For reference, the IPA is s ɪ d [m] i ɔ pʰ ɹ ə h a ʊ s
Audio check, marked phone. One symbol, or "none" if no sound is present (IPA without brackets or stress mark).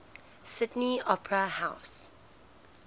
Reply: n